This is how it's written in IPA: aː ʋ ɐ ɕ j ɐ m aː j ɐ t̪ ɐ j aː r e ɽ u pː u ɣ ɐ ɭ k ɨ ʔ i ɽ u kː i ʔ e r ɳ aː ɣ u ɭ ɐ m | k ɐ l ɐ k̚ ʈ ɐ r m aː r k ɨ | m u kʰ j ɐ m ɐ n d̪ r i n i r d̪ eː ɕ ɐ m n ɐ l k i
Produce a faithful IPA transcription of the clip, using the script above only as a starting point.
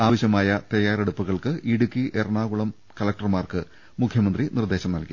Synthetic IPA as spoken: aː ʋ ɐ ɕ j ɐ m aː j ɐ t̪ ɐ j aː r e ɽ u pː u ɣ ɐ ɭ k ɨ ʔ i ɽ u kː i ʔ e r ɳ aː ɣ u ɭ ɐ m | k ɐ l ɐ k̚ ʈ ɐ r m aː r k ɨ | m u kʰ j ɐ m ɐ n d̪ r i n i r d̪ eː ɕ ɐ m n ɐ l k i